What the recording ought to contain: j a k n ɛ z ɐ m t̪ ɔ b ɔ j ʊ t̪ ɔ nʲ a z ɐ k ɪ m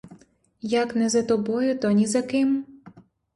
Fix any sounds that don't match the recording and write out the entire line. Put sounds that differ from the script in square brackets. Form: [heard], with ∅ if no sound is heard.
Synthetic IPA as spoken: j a k n ɛ z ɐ [∅] t̪ ɔ b ɔ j ʊ t̪ ɔ nʲ [i] z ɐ k ɪ m